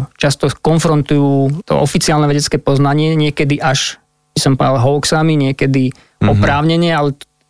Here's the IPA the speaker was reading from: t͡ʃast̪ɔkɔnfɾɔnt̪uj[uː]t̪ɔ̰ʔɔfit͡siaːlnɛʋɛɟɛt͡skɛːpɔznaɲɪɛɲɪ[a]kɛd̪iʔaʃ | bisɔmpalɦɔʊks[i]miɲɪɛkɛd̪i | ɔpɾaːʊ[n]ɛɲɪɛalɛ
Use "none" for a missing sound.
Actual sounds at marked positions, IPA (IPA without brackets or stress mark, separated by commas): uː, ɛ, a, ɲ